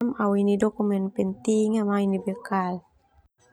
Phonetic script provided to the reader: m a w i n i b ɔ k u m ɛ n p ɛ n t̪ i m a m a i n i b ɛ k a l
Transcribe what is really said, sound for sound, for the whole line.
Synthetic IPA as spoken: m a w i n i d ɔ k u m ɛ n p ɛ n t̪ i ŋ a m a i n i b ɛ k a l